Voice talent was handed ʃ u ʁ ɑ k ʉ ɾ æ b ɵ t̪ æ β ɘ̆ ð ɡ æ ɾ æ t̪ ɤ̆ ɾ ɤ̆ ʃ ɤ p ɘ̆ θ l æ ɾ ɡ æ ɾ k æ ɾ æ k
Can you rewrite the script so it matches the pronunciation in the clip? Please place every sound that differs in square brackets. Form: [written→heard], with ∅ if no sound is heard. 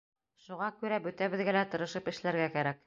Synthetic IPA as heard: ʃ u ʁ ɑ k ʉ ɾ æ b ɵ t̪ æ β ɘ̆ ð ɡ æ [ɾ→l] æ t̪ ɤ̆ ɾ ɤ̆ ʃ ɤ p ɘ̆ [θ→ʃ] l æ ɾ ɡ æ [ɾ→∅] k æ ɾ æ k